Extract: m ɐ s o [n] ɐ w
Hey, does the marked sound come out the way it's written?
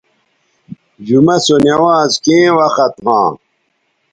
yes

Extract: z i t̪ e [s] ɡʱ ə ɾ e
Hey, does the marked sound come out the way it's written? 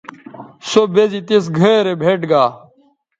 yes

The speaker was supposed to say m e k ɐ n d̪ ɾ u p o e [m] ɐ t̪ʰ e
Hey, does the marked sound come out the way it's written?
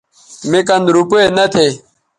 no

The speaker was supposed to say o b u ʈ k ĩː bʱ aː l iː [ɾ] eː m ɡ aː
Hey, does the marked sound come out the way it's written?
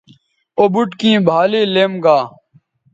no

